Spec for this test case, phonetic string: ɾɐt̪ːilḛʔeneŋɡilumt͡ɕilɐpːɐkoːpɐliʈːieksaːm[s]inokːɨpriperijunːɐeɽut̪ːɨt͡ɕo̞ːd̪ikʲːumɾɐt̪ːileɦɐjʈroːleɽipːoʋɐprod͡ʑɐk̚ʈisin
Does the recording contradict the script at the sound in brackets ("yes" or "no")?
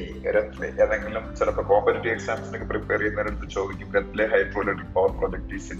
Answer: no